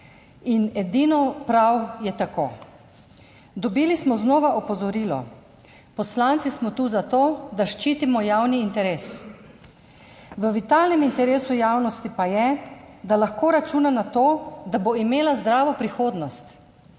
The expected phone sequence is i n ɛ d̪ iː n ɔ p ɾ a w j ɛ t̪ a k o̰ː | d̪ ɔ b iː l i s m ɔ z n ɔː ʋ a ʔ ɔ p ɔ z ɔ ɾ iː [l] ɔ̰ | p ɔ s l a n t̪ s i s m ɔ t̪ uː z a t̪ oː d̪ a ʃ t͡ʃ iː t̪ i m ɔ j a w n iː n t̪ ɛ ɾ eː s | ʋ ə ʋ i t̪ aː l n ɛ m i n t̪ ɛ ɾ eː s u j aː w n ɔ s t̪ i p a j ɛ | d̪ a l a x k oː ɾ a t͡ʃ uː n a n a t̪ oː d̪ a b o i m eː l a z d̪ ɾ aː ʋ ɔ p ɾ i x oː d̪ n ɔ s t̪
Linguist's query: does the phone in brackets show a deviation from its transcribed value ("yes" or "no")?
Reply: no